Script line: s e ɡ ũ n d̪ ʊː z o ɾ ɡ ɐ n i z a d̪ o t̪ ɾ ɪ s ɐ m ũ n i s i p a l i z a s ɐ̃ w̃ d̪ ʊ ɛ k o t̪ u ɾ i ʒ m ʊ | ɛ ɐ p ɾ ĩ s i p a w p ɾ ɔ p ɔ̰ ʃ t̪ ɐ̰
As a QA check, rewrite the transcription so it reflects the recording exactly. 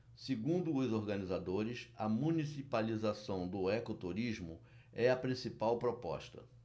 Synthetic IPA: s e ɡ ũ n d̪ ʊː z o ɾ ɡ ɐ n i z a d̪ o ɾ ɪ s ɐ m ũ n i s i p a l i z a s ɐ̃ w̃ d̪ ʊ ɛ k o t̪ u ɾ i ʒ m ʊ | ɛ ɐ p ɾ ĩ s i p a w p ɾ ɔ p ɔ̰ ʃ t̪ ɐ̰